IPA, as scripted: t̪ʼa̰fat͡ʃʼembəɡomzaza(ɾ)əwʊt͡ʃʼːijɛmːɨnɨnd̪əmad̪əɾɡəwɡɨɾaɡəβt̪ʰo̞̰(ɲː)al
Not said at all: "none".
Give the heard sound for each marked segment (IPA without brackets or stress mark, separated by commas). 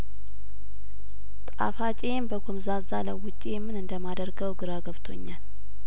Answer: l, ɲː